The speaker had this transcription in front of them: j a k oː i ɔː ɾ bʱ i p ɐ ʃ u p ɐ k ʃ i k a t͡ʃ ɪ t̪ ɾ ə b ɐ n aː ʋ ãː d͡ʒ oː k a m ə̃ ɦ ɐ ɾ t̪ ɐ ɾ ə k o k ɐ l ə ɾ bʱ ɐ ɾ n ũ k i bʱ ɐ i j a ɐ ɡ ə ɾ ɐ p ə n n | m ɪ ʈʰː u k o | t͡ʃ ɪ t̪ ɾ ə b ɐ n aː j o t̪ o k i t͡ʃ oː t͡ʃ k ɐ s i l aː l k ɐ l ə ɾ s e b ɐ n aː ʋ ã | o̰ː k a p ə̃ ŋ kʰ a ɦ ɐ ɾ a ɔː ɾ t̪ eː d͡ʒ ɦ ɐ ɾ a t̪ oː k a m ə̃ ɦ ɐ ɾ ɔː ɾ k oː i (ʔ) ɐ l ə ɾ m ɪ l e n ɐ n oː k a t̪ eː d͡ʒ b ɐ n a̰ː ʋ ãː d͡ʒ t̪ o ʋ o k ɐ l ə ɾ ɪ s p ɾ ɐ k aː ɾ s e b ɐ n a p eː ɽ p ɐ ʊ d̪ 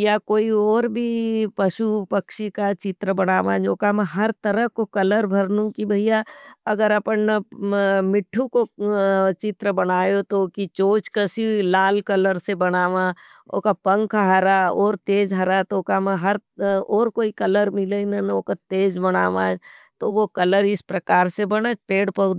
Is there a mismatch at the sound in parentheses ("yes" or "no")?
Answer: yes